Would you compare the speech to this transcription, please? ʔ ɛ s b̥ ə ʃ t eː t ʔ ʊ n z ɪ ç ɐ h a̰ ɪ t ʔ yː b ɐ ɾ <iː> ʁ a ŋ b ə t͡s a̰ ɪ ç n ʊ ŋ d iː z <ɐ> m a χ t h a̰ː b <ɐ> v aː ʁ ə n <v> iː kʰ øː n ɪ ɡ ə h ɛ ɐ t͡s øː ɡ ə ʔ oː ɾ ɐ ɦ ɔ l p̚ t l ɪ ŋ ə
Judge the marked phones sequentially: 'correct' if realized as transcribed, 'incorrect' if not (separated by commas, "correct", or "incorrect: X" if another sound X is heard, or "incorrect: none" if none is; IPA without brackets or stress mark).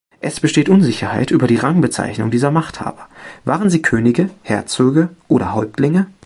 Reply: correct, correct, correct, incorrect: z